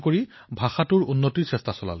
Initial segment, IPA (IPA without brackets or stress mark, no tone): k